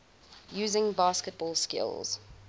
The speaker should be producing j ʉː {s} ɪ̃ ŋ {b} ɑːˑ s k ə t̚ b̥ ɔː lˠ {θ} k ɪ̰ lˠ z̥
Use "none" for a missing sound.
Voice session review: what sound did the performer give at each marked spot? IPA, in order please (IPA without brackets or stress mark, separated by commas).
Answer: z, b, s